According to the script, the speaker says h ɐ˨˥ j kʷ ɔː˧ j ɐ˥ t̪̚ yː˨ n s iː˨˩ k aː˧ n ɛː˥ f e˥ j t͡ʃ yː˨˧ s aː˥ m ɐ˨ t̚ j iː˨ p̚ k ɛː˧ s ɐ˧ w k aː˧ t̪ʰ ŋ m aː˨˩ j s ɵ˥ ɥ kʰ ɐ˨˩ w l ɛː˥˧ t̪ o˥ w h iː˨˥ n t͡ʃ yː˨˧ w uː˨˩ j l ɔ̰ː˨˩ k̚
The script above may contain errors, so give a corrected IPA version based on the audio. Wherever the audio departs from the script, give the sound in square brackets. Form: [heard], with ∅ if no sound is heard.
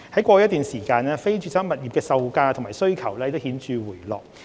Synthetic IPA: h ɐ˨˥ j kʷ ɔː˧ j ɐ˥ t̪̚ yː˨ n s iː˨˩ k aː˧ n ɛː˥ f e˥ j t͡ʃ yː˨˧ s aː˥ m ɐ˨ t̚ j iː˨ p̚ k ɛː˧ s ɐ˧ w k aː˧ t̪ʰ ŋ m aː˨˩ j s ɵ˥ ɥ kʰ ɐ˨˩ w l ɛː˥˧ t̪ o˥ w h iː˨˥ n t͡ʃ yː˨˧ w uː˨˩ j l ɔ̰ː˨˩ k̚